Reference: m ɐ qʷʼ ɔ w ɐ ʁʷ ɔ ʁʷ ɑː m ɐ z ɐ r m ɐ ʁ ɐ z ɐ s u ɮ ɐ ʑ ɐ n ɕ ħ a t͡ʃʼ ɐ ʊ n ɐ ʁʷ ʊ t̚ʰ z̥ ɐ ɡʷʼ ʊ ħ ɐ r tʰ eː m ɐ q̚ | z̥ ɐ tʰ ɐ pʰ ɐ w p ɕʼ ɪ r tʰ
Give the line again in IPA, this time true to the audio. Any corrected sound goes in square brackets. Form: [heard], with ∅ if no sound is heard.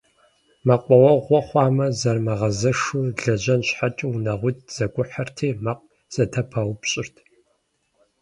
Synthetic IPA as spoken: m ɐ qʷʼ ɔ w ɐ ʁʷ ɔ [χʷ] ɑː m ɐ z ɐ r m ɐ ʁ ɐ z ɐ [ʂ] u ɮ ɐ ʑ ɐ n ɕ ħ a t͡ʃʼ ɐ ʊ n ɐ ʁʷ ʊ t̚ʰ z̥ ɐ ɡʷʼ ʊ ħ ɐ r tʰ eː m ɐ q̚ | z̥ ɐ tʰ ɐ pʰ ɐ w p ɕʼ ɪ r tʰ

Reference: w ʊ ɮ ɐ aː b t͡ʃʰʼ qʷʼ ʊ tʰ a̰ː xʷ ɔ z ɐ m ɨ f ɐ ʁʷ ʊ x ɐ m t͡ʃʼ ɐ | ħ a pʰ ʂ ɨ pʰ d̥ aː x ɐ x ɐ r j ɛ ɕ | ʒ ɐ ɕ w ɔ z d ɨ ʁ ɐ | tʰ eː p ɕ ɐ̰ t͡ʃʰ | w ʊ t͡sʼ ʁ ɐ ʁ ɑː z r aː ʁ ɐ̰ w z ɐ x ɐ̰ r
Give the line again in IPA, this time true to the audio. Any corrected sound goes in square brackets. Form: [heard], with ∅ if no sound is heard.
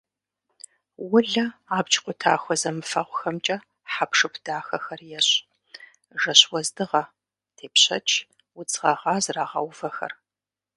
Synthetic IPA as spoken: w ʊ ɮ ɐ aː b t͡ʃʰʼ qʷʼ ʊ tʰ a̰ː xʷ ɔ z ɐ m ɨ f ɐ ʁʷ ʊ x ɐ m t͡ʃʼ ɐ | ħ a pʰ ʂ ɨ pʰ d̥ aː x ɐ x ɐ r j ɛ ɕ | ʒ ɐ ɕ w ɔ z d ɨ ʁ ɐ | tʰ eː p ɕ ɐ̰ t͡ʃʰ | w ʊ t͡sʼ ʁ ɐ ʁ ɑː z r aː ʁ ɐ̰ w [v] ɐ x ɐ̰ r

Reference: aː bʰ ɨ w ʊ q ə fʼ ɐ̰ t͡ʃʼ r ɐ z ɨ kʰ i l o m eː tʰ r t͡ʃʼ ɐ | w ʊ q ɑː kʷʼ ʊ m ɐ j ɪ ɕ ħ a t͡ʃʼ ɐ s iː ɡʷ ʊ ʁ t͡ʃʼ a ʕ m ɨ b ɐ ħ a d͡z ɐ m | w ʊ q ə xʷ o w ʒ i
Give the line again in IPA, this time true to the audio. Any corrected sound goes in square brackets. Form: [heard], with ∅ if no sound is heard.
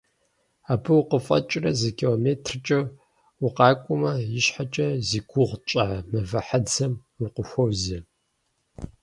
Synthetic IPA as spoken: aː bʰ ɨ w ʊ q ə fʼ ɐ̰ t͡ʃʼ r ɐ z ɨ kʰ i l o m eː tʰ r t͡ʃʼ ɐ | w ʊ q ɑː kʷʼ ʊ m ɐ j ɪ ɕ ħ a t͡ʃʼ ɐ [z] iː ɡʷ ʊ ʁ t͡ʃʼ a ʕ m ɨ [v] ɐ ħ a d͡z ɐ m | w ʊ q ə xʷ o w [z] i

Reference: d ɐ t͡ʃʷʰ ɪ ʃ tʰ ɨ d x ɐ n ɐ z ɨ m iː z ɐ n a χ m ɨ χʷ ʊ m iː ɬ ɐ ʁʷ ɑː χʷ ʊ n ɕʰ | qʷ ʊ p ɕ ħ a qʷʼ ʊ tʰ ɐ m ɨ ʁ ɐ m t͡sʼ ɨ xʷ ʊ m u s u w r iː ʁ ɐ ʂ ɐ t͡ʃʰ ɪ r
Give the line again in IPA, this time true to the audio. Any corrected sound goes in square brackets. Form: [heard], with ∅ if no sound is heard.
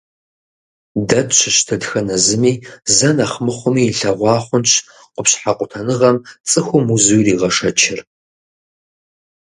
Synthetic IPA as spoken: d ɐ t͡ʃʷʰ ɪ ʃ tʰ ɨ d x ɐ n ɐ z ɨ m iː z ɐ n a χ m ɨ χʷ ʊ m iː ɬ ɐ ʁʷ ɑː χʷ ʊ n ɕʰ | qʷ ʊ p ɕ ħ a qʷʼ ʊ tʰ ɐ [n] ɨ ʁ ɐ m t͡sʼ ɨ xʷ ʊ m u [z] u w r iː ʁ ɐ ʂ ɐ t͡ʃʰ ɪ r

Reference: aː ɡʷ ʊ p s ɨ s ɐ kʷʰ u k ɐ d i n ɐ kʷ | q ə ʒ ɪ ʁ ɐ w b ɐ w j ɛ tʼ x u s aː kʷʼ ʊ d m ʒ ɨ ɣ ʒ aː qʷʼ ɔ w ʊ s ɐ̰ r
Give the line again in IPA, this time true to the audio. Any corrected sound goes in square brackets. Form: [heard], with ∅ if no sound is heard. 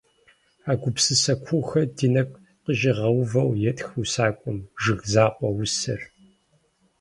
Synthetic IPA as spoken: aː ɡʷ ʊ p s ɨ s ɐ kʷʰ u [x] ɐ d i n ɐ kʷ | q ə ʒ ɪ ʁ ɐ w [v] ɐ w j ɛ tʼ x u s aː kʷʼ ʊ [∅] m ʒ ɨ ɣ [z] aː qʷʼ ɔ w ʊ s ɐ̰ r

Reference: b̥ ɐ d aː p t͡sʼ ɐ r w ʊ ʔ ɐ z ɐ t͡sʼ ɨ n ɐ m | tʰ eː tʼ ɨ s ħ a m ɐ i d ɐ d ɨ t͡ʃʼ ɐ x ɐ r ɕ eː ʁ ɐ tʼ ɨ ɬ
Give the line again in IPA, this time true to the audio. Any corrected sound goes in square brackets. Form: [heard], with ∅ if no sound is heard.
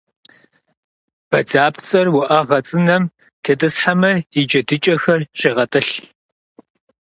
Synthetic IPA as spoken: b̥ ɐ [d͡z] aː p t͡sʼ ɐ r w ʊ ʔ ɐ [ʁ] ɐ t͡sʼ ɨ n ɐ m | tʰ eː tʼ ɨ s ħ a m ɐ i [d͡ʒ] ɐ d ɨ t͡ʃʼ ɐ x ɐ r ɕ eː ʁ ɐ tʼ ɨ ɬ

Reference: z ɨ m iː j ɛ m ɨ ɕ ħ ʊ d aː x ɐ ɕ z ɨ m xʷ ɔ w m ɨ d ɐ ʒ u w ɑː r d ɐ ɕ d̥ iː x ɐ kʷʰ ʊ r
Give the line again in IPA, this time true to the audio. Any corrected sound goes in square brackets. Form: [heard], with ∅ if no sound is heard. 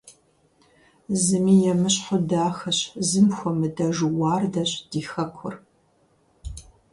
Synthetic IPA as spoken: z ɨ m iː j ɛ m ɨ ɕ ħ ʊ d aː x ɐ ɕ z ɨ m xʷ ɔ [∅] m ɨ d ɐ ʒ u w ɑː r d ɐ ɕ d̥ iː x ɐ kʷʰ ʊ r

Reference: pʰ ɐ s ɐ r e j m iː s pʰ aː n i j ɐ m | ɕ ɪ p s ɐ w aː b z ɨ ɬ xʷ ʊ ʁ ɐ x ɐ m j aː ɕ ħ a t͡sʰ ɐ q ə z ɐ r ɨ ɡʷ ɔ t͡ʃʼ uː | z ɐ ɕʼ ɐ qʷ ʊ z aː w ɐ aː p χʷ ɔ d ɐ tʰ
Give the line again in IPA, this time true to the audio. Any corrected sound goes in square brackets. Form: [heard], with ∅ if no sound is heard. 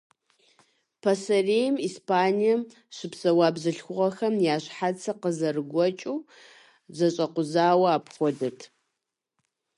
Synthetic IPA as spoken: pʰ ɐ s ɐ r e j m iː s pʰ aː n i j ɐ m | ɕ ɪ p s ɐ w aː b z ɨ ɬ xʷ ʊ ʁ ɐ x ɐ m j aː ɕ ħ a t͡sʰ ɐ q ə z ɐ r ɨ ɡʷ ɔ t͡ʃʼ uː | z ɐ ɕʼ ɐ qʷ ʊ z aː w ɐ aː p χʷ ɔ d ɐ tʰ

